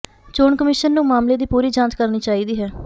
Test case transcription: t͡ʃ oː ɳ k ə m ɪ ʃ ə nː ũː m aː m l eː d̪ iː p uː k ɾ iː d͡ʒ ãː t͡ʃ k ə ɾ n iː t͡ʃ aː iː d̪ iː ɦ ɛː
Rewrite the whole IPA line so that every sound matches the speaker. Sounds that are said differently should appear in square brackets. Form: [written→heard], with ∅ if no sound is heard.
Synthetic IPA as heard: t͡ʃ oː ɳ k ə m ɪ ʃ ə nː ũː m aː m l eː d̪ iː p uː [k→∅] ɾ iː d͡ʒ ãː t͡ʃ k ə ɾ n iː t͡ʃ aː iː d̪ iː ɦ ɛː